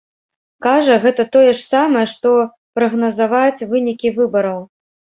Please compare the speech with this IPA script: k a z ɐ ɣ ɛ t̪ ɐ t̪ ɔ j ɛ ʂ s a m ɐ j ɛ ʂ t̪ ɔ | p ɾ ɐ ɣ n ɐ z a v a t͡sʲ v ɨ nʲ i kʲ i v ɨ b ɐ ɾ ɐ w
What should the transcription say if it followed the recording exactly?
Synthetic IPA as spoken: k a ʐ ɐ ɣ ɛ t̪ ɐ t̪ ɔ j ɛ ʂ s a m ɐ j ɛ ʂ t̪ ɔ | p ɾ ɐ ɣ n ɐ z a v a t͡sʲ v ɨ nʲ i kʲ i v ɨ b ɐ ɾ ɐ w